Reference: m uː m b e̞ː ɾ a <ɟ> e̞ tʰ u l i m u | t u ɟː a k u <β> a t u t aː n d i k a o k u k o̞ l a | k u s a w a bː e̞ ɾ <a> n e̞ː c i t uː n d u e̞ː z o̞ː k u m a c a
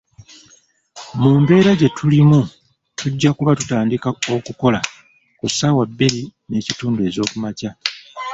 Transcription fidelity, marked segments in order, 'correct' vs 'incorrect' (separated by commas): correct, correct, incorrect